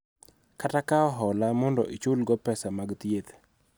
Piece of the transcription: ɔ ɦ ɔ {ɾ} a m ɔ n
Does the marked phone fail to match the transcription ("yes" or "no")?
yes